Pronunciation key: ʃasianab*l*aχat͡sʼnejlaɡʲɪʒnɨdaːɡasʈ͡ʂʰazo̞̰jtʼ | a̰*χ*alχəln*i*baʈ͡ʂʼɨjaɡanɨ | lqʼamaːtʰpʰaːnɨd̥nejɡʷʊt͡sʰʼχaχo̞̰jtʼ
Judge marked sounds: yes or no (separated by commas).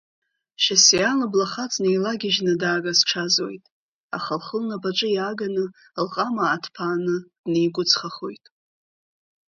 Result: yes, yes, no